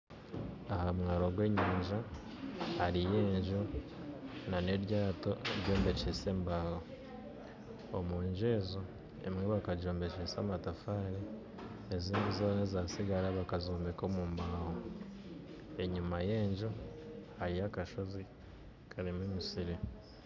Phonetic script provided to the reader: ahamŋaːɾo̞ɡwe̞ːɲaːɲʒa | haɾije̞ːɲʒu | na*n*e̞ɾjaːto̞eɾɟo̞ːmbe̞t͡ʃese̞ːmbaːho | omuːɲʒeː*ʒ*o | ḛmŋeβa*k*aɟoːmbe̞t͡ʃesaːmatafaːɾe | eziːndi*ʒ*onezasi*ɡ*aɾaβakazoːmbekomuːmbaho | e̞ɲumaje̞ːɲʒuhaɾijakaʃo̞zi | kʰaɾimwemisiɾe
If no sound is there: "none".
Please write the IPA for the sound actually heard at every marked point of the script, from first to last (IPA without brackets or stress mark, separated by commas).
n, z, k, z, ɡ